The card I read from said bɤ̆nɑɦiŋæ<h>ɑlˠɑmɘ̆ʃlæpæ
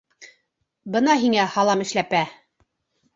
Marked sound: correct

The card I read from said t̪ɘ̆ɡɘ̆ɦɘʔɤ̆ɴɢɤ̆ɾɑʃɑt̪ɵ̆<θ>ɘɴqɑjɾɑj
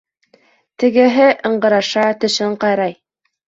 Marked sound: incorrect: ʃ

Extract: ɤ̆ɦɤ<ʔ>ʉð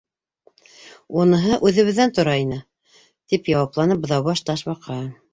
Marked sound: correct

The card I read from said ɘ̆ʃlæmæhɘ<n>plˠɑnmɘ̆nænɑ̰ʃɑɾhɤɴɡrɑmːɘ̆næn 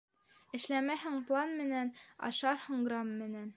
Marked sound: incorrect: ŋ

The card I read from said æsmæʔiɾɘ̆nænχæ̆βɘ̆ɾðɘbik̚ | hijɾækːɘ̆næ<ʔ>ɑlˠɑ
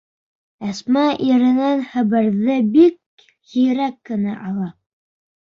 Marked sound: correct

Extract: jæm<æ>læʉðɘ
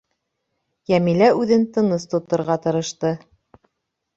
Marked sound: incorrect: i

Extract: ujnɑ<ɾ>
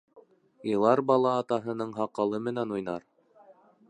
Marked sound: correct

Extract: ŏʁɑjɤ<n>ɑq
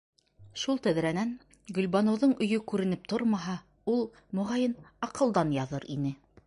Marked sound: correct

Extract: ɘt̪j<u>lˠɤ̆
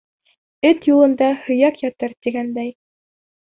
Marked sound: correct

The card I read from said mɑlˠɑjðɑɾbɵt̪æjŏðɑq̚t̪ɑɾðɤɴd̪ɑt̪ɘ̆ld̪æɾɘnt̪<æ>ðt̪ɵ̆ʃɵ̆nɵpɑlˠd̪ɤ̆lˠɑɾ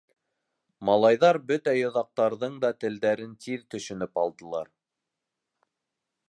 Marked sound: incorrect: i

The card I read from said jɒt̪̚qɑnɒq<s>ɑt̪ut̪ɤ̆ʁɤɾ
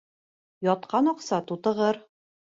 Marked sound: correct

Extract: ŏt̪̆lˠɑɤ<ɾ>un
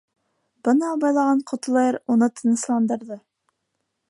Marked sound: correct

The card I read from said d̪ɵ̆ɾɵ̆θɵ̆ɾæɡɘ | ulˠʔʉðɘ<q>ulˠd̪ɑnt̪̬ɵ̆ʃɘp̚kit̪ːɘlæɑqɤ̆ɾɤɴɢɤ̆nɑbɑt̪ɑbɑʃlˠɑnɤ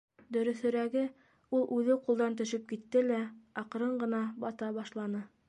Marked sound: correct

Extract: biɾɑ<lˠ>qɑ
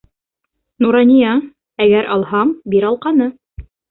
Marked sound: correct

